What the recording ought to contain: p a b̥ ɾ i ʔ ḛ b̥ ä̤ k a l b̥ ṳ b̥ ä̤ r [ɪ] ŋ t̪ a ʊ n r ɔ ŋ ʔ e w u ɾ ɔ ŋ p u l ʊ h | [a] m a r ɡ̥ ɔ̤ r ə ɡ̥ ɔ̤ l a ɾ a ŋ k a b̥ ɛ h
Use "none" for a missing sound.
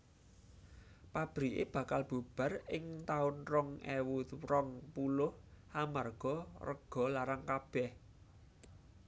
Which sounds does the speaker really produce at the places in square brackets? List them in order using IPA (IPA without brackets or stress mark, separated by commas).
ɪ, a